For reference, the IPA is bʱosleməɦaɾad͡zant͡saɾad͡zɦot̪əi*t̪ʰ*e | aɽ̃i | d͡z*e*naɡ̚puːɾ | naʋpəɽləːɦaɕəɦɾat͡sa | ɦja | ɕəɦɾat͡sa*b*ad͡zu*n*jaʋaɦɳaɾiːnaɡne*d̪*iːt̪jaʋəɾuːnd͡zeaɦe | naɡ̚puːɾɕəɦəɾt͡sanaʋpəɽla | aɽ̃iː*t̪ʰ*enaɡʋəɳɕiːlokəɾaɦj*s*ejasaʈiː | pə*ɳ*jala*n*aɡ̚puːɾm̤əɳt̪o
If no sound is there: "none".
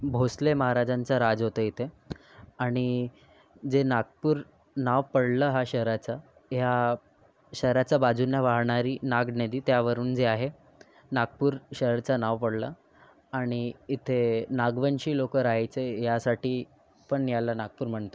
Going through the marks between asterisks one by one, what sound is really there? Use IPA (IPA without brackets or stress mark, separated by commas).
t̪ʰ, e, b, n, d̪, t̪ʰ, t͡s, ɳ, n